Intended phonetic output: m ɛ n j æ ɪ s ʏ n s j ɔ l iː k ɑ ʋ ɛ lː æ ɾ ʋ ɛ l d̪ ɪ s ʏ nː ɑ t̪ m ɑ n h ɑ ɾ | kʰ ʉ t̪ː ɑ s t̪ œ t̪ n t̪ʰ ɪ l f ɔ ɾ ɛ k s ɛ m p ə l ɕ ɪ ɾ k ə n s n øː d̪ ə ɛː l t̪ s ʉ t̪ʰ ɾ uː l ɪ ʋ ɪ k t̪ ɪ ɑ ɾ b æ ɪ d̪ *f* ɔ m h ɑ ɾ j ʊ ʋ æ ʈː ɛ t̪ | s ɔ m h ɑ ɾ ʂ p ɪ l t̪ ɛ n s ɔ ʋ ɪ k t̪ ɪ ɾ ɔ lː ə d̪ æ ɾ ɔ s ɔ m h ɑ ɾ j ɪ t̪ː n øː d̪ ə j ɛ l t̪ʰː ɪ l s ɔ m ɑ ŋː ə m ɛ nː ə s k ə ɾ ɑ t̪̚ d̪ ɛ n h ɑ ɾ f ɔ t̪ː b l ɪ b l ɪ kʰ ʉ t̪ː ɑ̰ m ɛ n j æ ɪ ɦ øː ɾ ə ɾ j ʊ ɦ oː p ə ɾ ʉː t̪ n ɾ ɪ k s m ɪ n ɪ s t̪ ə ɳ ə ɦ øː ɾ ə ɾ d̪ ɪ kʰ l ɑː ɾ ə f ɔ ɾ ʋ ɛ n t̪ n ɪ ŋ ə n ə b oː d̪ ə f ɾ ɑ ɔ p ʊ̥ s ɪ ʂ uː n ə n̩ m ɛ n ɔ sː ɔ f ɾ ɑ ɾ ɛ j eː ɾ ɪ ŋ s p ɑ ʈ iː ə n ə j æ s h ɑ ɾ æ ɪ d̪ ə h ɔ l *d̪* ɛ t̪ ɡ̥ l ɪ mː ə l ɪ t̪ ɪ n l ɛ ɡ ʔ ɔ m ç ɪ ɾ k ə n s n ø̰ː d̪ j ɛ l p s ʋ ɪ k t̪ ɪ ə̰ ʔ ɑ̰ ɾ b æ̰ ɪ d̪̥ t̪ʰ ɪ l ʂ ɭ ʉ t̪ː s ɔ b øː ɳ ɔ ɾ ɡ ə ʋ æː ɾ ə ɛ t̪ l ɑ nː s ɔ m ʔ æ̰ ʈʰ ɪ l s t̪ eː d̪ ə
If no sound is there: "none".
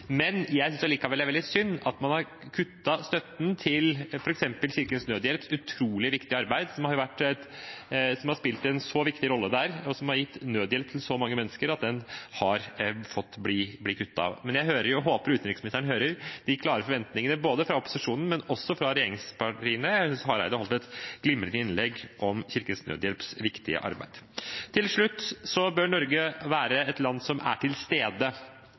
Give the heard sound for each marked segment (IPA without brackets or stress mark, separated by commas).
s, t̪